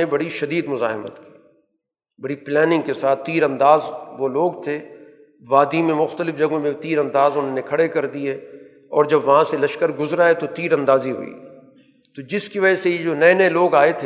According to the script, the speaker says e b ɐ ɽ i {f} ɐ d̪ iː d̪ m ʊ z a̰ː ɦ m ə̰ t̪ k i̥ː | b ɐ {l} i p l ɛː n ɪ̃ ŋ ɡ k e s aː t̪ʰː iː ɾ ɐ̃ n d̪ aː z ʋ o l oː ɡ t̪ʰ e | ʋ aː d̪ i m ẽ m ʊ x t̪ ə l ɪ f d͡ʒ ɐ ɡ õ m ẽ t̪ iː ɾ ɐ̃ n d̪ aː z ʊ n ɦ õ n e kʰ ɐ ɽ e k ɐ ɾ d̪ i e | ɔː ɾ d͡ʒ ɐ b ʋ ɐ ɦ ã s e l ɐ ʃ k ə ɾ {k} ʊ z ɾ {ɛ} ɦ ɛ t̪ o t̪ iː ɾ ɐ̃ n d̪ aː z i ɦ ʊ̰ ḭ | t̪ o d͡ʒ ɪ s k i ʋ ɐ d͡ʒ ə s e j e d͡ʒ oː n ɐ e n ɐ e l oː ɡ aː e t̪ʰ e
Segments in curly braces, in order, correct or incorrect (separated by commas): incorrect, incorrect, incorrect, incorrect